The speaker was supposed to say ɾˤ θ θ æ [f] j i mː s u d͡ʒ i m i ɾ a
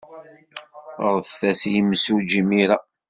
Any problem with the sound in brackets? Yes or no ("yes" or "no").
yes